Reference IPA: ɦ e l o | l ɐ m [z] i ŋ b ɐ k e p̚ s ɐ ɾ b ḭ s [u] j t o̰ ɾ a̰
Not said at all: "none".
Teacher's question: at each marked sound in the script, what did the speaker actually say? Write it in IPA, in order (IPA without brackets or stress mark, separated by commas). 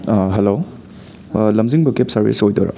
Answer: z, o